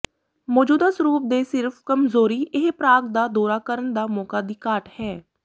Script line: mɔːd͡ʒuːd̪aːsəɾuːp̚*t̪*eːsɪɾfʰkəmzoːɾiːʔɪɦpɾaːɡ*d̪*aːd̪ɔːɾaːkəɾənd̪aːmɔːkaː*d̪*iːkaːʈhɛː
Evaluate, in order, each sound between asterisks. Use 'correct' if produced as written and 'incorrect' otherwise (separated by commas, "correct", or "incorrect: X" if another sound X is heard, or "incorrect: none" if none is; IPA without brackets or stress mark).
incorrect: d̪, correct, correct